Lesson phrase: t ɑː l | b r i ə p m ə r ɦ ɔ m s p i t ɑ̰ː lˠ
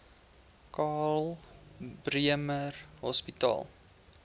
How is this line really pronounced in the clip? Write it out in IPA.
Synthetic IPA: k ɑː l | b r i ə m ə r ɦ ɔ s p i t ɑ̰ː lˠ